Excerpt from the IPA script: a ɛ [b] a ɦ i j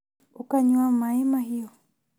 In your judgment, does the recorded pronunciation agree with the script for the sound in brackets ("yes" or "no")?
no